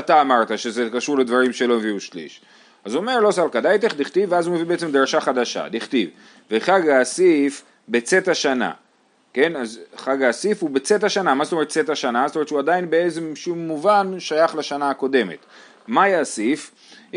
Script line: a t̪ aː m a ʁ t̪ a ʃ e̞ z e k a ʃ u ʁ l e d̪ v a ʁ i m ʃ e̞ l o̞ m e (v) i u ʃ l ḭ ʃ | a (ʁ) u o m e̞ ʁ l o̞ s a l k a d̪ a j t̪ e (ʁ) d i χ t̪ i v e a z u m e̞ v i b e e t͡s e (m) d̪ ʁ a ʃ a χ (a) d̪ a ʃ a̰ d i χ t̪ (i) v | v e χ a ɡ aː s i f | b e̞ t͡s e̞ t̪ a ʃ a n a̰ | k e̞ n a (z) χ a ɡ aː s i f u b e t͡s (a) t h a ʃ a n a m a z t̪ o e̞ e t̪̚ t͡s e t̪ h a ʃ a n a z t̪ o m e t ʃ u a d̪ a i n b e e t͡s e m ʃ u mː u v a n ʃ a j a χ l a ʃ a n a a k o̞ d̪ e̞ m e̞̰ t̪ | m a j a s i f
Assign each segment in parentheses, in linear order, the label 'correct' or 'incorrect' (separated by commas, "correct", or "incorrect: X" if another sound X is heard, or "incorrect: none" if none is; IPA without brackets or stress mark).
correct, incorrect: z, incorrect: χ, correct, correct, correct, correct, incorrect: e